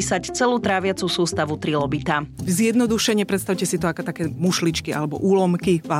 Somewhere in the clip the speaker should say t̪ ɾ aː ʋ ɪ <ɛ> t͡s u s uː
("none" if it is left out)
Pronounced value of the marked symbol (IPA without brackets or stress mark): a